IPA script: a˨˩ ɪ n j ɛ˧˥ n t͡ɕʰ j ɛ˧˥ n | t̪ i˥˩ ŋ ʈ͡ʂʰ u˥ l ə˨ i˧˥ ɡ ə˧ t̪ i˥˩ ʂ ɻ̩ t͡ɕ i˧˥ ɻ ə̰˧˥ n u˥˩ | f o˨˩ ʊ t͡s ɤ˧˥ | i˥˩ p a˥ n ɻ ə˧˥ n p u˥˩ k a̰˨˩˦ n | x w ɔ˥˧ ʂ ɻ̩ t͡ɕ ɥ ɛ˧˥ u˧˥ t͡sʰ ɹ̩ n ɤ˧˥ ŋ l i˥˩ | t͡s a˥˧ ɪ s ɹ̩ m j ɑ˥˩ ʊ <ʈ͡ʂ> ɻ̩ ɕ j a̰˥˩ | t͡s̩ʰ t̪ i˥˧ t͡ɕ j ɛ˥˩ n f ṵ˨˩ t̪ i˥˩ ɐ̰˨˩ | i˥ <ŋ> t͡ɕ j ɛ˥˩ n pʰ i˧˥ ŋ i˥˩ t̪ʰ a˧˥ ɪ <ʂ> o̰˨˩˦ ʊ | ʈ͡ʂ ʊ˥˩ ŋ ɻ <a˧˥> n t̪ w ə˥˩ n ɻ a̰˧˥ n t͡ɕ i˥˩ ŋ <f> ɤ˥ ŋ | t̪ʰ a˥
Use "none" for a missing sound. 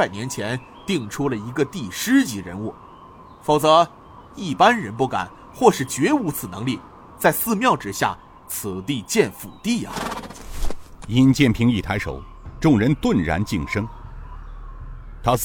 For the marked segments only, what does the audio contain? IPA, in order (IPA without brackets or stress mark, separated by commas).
ʈ͡ʂ, n, ʂ, ə˧˥, ʂ